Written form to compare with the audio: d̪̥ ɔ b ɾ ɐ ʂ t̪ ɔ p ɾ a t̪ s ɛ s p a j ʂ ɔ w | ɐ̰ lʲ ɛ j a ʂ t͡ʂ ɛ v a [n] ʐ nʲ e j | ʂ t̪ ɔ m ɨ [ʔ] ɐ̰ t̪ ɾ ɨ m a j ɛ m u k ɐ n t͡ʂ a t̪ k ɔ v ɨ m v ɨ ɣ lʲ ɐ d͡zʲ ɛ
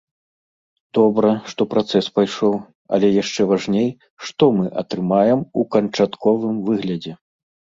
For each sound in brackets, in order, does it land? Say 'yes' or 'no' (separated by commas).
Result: no, yes